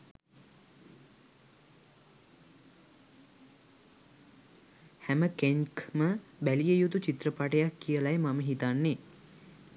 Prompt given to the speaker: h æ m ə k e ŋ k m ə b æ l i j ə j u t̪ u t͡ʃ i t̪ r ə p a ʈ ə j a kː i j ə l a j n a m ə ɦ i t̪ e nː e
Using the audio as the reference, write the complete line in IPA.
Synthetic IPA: h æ m ə k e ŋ k m ə b æ l i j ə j u t̪ u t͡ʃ i t̪ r ə p a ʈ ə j a kː i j ə l a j m a m ə ɦ i t̪ a nː e

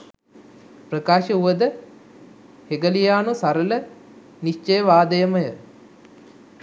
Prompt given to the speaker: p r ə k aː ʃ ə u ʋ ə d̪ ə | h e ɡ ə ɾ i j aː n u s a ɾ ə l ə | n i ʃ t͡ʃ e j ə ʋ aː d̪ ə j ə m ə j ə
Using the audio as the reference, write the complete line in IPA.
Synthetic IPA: p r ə k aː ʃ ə u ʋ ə d̪ ə | h e ɡ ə l i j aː n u s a ɾ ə l ə | n i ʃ t͡ʃ e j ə ʋ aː d̪ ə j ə m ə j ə

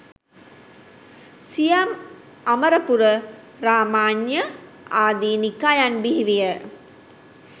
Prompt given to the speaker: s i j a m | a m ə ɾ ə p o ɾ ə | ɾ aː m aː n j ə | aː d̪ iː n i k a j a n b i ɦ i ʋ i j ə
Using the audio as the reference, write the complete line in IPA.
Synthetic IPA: s i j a m | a m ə ɾ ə p u ɾ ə | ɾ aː m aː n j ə | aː d̪ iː n i k a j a n b i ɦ i ʋ i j ə

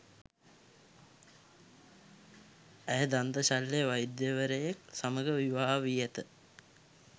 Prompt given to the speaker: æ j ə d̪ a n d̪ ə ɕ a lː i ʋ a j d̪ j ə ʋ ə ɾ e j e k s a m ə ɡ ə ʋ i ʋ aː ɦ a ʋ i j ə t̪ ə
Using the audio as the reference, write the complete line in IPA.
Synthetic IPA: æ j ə d̪ a n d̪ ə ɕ a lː e ʋ a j d̪ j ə ʋ ə ɾ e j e k s a m ə ɡ ə ʋ i ʋ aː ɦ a ʋ i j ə t̪ ə

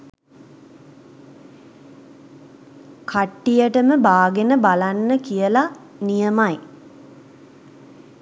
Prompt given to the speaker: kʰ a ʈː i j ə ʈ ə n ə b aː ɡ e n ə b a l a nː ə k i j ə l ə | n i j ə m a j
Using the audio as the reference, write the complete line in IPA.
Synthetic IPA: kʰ a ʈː i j ə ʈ ə m ə b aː ɡ e n ə b a l a nː ə k i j ə l a | n i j ə m a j

